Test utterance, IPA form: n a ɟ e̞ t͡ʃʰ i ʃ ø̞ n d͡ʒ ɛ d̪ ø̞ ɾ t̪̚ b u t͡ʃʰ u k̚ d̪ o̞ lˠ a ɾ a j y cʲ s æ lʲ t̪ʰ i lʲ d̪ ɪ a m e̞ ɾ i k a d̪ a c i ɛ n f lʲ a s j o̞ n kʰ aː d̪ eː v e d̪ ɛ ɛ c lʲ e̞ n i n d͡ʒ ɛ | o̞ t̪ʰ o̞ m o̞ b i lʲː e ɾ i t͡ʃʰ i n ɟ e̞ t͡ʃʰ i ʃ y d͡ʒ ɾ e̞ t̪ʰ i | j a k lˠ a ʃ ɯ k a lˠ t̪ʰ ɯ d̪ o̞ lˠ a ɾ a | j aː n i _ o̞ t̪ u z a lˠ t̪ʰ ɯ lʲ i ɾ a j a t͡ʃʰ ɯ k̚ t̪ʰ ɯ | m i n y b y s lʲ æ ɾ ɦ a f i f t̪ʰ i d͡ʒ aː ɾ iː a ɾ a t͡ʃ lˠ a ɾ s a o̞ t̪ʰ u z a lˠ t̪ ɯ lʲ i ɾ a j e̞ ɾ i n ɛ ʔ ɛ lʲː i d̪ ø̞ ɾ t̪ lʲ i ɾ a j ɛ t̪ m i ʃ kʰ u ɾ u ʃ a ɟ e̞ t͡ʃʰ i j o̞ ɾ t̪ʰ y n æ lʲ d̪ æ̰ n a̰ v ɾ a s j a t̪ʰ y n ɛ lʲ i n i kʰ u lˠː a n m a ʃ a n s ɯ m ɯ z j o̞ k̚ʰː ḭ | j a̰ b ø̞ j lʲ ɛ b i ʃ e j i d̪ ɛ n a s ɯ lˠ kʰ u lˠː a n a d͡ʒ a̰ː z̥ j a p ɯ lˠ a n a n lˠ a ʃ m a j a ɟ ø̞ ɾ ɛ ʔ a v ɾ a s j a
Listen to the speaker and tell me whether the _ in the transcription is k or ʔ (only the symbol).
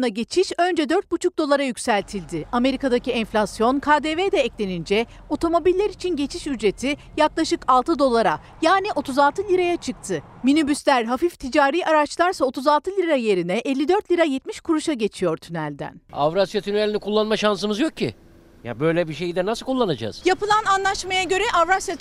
ʔ